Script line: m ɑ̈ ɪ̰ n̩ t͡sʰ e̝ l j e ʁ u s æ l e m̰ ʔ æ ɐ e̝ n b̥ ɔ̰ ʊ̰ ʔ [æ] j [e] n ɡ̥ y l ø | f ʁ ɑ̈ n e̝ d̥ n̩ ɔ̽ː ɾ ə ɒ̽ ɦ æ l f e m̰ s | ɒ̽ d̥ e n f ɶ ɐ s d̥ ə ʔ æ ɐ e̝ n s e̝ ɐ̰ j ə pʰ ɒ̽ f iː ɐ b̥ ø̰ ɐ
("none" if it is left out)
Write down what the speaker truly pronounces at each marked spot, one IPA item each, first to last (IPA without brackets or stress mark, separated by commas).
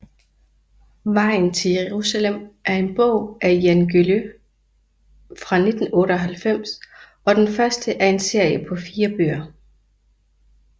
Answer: æ, æ